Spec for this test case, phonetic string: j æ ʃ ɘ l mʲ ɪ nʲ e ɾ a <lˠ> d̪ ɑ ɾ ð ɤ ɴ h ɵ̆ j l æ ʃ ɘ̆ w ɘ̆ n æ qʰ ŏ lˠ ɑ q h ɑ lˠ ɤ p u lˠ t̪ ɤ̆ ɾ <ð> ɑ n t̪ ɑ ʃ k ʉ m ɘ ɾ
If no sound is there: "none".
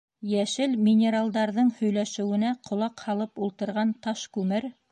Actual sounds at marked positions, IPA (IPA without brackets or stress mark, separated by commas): lˠ, ʁ